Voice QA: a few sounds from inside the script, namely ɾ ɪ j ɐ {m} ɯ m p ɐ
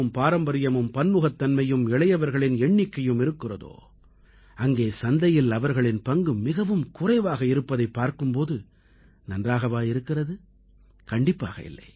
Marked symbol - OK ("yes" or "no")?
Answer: yes